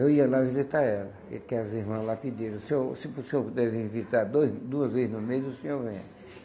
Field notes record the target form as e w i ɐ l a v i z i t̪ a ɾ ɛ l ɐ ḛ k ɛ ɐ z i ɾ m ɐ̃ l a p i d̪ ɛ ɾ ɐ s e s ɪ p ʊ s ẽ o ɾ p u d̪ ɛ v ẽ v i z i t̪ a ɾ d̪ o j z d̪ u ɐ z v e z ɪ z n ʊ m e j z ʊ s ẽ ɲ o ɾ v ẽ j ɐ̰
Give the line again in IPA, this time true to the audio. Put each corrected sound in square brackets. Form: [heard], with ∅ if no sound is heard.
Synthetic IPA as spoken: e w i ɐ l a v i z i t̪ a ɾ ɛ l ɐ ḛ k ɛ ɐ z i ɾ m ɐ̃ l a p i d̪ [e] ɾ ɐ s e s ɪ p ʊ s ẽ o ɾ p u d̪ ɛ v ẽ v i z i t̪ a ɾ d̪ o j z d̪ u ɐ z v e z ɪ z n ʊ m e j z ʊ s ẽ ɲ o ɾ v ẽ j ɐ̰